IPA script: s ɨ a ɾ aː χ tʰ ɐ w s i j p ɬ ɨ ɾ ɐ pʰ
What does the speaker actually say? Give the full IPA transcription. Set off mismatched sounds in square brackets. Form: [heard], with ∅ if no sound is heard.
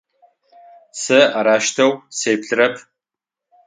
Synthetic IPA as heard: s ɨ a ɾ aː [ʃ] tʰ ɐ w s [e] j p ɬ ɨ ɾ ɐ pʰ

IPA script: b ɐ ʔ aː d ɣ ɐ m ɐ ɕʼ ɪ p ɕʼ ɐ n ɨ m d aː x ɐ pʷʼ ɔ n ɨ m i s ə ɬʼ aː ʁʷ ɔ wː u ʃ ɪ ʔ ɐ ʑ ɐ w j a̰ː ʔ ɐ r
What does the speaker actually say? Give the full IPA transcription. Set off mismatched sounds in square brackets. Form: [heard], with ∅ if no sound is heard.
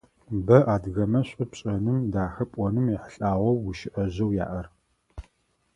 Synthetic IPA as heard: b ɐ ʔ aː d ɣ ɐ m ɐ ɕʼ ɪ p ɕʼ ɐ n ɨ m d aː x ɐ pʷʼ ɔ n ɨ m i [ħ] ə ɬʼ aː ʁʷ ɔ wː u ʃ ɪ ʔ ɐ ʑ ɐ w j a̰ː ʔ ɐ r

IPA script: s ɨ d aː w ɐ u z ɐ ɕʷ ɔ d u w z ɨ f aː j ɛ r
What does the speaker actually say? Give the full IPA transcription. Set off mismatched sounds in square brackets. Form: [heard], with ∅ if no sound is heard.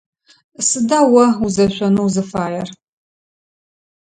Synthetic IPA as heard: s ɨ d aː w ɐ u z ɐ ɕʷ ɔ [n] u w z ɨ f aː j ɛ r

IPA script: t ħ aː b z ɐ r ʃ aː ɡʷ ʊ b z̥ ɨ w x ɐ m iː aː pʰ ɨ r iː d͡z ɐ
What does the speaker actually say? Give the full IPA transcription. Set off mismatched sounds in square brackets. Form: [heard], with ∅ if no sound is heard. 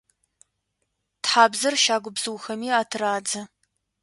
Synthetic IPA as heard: t ħ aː b z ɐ r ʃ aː ɡʷ ʊ b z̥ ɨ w x ɐ m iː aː [tʰ] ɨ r [aː] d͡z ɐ

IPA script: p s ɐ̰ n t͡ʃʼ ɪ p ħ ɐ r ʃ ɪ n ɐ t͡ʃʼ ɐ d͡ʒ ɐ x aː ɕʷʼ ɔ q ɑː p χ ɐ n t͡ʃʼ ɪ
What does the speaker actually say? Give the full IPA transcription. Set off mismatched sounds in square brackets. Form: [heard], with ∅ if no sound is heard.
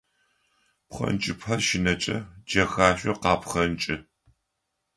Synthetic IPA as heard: p [χ] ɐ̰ n t͡ʃʼ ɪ p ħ ɐ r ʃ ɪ n ɐ t͡ʃʼ ɐ d͡ʒ ɐ x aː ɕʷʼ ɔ q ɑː p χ ɐ n t͡ʃʼ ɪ

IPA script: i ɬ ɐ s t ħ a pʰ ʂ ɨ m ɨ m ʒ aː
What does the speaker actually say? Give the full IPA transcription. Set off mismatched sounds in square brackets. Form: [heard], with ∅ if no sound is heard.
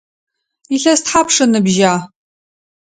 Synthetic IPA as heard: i ɬ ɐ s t ħ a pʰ ʂ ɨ [n] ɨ [b] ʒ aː

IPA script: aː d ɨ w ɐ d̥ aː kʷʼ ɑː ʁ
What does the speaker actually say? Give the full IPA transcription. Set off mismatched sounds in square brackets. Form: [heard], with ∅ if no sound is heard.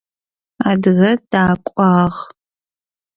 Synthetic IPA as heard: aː d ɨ [ɣ] ɐ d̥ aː kʷʼ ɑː ʁ

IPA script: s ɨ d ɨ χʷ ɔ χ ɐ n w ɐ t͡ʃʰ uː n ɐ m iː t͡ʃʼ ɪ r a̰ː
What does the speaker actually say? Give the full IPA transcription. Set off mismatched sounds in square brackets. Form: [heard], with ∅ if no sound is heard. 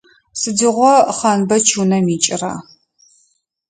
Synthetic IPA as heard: s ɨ d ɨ [ʁʷ] ɔ χ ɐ n [b] ɐ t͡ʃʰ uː n ɐ m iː t͡ʃʼ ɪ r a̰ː

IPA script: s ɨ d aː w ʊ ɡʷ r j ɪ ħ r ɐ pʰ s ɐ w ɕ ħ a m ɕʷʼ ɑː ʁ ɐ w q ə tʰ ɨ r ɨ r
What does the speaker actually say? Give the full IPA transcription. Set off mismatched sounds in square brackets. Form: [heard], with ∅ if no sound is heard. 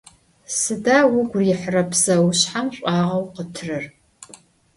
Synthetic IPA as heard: s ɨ d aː w ʊ ɡʷ r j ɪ ħ r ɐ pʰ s ɐ w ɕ ħ a m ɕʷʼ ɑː ʁ ɐ w q ə tʰ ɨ r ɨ r

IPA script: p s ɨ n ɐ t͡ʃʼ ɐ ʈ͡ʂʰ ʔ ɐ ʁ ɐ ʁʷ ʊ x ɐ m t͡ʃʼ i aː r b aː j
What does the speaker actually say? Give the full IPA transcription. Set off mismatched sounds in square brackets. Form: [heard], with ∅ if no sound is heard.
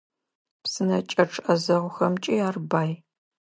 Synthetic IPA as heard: p s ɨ n ɐ t͡ʃʼ ɐ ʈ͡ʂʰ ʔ ɐ [z] ɐ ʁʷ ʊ x ɐ m t͡ʃʼ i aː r b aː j

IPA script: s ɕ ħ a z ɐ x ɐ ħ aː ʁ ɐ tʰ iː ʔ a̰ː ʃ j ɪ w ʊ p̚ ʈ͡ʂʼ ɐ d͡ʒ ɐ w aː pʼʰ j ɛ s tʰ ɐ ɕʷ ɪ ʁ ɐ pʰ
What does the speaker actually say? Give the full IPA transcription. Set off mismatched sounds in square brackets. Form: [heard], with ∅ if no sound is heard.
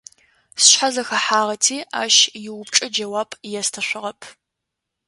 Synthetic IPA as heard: s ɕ ħ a z ɐ x ɐ ħ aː ʁ ɐ tʰ iː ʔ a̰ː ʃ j ɪ w ʊ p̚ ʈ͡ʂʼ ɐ d͡ʒ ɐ w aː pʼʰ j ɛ s tʰ ɐ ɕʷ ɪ ʁ ɐ pʰ

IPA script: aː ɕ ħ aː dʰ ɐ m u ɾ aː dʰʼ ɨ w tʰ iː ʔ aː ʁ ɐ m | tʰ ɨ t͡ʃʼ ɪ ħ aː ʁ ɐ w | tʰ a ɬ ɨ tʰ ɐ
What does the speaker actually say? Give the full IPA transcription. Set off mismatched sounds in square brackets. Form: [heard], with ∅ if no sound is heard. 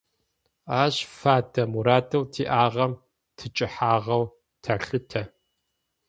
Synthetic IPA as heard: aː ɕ [f] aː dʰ ɐ m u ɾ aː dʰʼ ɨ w tʰ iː ʔ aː ʁ ɐ m | tʰ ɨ t͡ʃʼ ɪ ħ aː ʁ ɐ w | tʰ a ɬ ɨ tʰ ɐ

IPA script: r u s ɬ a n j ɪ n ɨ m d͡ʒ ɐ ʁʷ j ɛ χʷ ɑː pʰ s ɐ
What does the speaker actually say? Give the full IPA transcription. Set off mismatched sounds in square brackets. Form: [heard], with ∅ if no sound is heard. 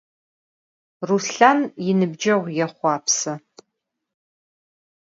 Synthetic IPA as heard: r u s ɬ a n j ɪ n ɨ [b] d͡ʒ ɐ ʁʷ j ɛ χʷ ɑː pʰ s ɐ

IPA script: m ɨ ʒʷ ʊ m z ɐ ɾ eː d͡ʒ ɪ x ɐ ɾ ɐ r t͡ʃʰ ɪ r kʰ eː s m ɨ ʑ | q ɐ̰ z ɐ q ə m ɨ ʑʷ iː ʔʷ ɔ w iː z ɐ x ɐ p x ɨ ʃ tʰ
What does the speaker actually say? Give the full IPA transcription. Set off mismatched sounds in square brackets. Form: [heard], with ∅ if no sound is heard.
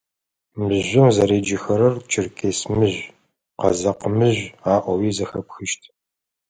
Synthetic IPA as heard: m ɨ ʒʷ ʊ m z ɐ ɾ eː d͡ʒ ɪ x ɐ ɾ ɐ r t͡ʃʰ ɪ r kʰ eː s m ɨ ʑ | q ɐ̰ z ɐ q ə m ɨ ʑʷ [aː] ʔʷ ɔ w iː z ɐ x ɐ p x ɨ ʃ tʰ

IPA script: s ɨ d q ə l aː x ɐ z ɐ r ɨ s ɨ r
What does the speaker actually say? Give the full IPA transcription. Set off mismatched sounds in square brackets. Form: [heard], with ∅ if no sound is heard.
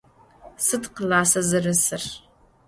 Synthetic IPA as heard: s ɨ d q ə l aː [s] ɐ z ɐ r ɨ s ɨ r

